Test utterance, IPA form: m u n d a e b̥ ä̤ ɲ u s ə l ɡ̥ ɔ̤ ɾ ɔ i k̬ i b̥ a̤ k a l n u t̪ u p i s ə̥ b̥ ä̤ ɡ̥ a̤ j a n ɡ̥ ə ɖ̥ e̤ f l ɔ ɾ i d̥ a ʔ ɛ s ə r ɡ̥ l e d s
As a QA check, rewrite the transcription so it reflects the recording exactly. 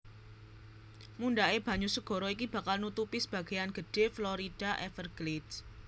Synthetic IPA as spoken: m u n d a e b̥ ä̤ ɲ u s ə ɡ̥ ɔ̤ ɾ ɔ i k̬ i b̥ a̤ k a l n u t̪ u p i s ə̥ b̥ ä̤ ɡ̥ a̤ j a n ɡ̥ ə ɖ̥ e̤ f l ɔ ɾ i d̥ a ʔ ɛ f ə r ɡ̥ l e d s